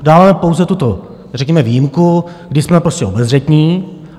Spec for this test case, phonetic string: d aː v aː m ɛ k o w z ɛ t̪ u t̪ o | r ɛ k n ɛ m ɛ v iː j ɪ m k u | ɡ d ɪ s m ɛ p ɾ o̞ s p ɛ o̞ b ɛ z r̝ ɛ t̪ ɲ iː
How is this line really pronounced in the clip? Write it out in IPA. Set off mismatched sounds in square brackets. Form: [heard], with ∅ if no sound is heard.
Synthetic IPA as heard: d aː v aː m ɛ [p] o w z ɛ t̪ u t̪ o | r ɛ k [ɲ] ɛ m ɛ v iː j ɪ m k u | ɡ d ɪ s m ɛ p ɾ o̞ s [c] ɛ o̞ b ɛ z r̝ ɛ t̪ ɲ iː